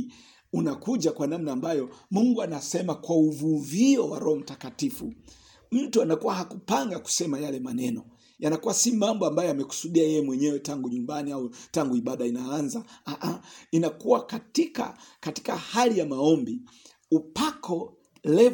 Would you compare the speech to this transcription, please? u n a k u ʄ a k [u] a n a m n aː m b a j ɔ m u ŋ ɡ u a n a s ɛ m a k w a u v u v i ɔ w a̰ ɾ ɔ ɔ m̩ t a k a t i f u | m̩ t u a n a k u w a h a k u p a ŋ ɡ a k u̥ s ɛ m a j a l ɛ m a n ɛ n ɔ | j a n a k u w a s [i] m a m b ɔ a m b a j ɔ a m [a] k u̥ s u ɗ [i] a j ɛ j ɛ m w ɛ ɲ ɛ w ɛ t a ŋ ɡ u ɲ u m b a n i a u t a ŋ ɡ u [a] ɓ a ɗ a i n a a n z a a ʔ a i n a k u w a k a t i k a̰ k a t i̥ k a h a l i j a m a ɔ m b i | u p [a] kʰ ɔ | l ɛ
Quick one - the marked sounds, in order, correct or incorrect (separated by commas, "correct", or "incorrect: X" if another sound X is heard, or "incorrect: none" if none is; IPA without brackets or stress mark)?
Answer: incorrect: w, correct, incorrect: ɛ, correct, incorrect: i, correct